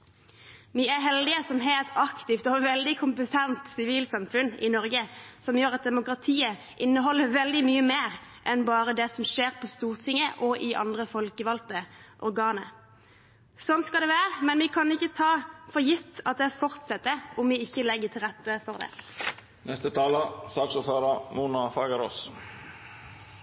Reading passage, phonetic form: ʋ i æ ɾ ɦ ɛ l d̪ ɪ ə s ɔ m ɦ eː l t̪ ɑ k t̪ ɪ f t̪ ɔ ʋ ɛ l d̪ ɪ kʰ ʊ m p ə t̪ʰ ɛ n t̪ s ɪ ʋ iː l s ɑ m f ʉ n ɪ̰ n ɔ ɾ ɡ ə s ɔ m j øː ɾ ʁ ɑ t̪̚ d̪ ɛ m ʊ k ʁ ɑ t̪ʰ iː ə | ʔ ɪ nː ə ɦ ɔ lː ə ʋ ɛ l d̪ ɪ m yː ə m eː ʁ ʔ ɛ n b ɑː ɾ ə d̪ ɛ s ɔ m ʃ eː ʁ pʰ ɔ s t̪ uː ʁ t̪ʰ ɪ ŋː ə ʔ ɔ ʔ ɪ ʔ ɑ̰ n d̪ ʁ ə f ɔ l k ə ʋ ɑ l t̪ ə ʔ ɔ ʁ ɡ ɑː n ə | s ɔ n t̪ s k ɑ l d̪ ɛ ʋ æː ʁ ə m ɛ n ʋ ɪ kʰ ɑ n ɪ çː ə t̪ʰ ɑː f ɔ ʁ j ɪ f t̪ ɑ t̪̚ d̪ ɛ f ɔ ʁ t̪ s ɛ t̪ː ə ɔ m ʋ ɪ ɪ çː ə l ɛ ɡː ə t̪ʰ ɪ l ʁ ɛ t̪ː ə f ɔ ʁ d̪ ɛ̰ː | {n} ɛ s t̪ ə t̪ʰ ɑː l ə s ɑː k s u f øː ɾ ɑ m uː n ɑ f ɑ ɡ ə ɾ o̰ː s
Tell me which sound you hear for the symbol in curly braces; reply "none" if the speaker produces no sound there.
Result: n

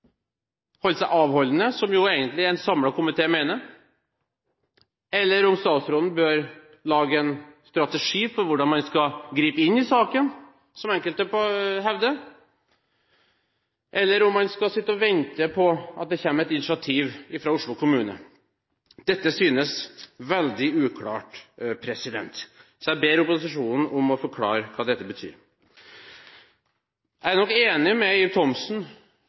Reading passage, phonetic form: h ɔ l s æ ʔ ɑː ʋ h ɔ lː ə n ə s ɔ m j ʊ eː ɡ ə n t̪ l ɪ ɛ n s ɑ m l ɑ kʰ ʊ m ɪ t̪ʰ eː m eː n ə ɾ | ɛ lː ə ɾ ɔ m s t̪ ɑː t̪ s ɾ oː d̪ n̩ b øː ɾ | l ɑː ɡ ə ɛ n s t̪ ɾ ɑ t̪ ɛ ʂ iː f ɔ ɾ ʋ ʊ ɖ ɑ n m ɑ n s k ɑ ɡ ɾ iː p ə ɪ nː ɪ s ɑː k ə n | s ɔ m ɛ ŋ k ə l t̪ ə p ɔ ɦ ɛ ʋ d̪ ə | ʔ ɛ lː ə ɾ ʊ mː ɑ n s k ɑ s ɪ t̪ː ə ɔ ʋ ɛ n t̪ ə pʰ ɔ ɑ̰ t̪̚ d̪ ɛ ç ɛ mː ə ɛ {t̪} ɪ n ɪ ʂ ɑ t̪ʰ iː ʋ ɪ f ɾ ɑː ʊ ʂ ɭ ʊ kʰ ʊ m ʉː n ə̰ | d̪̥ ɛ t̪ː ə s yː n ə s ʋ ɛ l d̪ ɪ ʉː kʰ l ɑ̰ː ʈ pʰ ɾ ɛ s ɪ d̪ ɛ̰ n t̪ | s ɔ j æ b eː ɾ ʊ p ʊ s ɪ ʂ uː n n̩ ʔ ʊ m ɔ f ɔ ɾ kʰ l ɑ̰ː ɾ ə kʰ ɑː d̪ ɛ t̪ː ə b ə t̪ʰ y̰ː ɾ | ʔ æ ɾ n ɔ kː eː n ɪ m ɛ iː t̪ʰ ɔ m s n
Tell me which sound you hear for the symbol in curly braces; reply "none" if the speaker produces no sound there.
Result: t̪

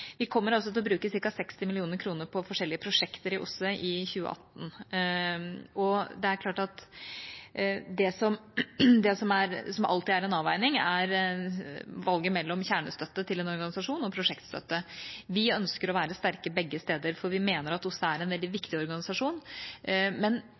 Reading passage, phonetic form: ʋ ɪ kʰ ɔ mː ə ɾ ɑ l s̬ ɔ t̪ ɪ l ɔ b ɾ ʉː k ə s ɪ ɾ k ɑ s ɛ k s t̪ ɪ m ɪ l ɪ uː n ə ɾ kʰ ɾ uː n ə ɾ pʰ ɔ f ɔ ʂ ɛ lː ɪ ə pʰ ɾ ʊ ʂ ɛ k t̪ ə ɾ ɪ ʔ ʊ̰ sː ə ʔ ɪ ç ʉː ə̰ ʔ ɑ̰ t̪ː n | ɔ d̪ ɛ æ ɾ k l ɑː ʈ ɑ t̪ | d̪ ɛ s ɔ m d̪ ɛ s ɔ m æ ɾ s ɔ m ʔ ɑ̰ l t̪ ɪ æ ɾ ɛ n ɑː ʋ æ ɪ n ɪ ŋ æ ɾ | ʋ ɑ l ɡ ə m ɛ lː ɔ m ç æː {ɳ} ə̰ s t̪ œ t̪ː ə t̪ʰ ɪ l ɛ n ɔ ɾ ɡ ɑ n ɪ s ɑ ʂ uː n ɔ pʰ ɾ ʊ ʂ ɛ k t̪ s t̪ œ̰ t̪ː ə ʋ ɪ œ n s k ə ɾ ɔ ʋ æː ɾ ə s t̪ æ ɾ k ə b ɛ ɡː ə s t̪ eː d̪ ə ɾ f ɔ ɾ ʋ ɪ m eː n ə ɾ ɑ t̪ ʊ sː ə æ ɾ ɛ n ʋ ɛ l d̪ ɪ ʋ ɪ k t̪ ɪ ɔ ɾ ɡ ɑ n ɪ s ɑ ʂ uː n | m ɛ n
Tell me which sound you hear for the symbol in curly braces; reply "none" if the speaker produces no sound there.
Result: ɳ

